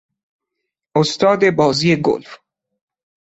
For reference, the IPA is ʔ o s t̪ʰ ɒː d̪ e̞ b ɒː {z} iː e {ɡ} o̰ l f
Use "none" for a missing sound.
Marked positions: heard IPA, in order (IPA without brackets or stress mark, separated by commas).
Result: z, ɡ